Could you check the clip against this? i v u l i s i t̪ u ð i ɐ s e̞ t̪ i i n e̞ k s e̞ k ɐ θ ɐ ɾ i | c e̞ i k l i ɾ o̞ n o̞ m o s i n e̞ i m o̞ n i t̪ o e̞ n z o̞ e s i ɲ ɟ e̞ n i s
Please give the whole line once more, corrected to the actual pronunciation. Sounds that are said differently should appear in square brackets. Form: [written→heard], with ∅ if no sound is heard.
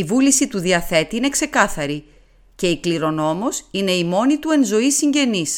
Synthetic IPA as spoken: i v u l i s i t̪ u ð i ɐ [s→θ] e̞ t̪ i i n e̞ k s e̞ k ɐ θ ɐ ɾ i | c e̞ i k l i ɾ o̞ n o̞ m o s i n e̞ i m o̞ n i t̪ [o→u] e̞ n z o̞ [e→i] s i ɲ ɟ e̞ n i s